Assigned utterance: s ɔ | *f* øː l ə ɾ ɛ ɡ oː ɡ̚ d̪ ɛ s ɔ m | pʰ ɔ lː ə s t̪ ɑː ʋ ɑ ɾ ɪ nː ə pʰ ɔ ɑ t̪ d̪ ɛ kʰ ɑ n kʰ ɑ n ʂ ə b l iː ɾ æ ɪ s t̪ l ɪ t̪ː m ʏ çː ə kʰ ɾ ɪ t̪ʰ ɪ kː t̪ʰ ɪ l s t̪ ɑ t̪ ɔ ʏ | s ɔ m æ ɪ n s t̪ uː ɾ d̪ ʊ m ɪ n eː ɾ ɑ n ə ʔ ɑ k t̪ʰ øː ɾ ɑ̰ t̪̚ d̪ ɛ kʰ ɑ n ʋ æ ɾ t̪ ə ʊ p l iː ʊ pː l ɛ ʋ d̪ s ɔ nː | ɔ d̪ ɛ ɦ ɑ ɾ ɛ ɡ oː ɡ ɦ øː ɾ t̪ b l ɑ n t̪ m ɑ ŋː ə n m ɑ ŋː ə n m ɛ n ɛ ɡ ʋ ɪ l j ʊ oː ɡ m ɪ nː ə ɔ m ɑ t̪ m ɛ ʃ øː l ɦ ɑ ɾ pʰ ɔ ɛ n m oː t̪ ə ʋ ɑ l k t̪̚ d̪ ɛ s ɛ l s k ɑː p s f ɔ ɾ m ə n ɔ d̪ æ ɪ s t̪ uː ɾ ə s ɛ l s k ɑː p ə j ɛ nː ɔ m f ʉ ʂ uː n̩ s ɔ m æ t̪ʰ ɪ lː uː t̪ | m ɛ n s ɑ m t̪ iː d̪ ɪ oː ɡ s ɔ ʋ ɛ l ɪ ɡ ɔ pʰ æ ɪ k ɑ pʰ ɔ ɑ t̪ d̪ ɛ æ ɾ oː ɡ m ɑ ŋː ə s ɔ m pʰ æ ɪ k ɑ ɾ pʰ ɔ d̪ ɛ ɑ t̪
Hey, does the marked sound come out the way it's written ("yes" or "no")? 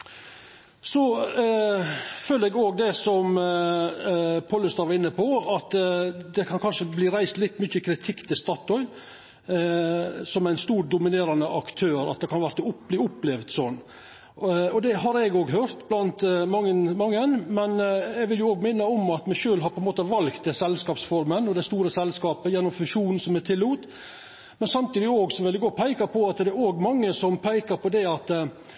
yes